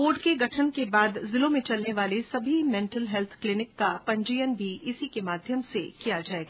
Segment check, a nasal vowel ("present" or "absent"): present